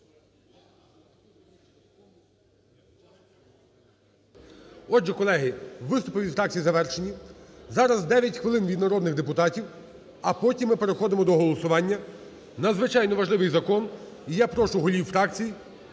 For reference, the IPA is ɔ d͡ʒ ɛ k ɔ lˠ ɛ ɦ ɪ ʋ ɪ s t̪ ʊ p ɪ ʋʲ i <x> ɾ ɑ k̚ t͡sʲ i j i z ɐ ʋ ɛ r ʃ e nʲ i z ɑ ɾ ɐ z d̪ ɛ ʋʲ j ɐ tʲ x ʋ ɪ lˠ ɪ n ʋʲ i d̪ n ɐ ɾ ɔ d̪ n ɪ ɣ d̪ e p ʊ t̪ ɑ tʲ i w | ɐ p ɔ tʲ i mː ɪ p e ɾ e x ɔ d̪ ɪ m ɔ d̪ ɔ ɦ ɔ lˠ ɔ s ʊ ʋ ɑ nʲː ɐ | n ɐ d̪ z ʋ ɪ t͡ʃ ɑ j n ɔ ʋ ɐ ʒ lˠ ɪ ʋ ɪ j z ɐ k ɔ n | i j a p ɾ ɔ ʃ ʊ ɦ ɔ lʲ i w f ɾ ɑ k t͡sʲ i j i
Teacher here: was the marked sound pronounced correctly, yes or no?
no